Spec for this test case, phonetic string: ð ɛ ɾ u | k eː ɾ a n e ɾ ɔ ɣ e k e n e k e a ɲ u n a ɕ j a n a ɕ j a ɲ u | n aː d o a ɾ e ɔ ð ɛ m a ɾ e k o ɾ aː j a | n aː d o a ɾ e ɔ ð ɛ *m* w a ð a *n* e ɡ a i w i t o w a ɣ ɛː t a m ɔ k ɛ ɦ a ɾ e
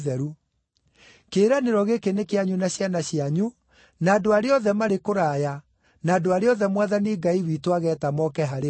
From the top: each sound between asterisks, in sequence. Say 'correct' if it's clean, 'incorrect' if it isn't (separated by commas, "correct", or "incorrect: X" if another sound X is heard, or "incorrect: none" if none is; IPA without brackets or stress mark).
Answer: correct, correct